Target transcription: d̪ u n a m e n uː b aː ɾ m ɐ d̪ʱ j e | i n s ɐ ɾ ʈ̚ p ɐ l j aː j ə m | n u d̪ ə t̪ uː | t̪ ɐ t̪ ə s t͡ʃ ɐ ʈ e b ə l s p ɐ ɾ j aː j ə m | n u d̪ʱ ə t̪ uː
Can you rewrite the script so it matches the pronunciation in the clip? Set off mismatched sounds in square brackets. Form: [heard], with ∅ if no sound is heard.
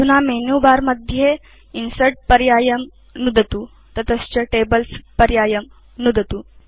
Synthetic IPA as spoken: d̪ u n a m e n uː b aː ɾ m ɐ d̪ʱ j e | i n s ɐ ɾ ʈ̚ p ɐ [ɾ] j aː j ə m | n u d̪ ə t̪ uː | t̪ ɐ t̪ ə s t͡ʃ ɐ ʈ e b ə l s p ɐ ɾ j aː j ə m | n u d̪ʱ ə t̪ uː